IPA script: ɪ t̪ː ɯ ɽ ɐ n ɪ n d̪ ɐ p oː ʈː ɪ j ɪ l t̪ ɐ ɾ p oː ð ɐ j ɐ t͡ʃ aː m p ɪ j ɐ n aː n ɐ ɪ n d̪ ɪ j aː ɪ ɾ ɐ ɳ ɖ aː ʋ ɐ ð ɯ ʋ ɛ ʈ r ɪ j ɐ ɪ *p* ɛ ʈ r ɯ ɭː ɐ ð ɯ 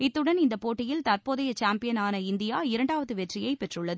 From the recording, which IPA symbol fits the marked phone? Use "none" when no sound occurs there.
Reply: p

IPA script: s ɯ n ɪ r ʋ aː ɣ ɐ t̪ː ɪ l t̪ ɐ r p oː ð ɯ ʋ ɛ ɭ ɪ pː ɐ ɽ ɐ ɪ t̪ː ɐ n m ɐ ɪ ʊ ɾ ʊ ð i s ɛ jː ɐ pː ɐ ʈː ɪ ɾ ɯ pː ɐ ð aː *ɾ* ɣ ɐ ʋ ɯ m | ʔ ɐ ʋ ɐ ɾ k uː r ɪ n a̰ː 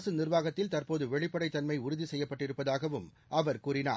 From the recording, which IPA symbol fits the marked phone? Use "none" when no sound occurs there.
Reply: none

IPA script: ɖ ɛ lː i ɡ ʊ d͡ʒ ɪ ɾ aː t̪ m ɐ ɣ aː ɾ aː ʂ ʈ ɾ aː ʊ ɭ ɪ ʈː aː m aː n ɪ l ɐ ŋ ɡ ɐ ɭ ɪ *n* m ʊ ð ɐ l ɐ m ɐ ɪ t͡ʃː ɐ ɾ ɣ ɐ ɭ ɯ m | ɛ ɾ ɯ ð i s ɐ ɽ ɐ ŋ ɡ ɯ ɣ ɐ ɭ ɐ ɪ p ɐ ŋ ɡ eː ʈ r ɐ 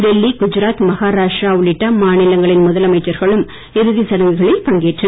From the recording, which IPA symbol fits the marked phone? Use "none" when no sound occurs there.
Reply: n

